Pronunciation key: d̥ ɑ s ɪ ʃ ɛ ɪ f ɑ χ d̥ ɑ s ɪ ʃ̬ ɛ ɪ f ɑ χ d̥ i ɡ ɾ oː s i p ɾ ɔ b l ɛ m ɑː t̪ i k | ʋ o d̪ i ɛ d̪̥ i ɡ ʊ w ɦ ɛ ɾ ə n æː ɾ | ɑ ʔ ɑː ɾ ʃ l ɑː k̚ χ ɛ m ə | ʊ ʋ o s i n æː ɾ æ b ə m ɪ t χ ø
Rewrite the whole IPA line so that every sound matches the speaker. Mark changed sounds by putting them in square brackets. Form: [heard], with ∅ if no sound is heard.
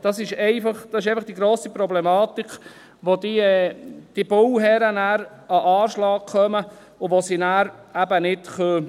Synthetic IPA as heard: d̥ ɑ s ɪ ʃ ɛ ɪ f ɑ χ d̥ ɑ s ɪ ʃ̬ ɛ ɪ f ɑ χ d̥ i ɡ ɾ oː s i p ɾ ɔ b l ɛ m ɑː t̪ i k | ʋ o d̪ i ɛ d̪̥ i [b] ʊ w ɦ ɛ ɾ ə n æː ɾ | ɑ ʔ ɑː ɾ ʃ l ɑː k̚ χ [œ] m ə | ʊ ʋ o s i n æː ɾ æ b ə [n] ɪ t χ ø